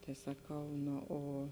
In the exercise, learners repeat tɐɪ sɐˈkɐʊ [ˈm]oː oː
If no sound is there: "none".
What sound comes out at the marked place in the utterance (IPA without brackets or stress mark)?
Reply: n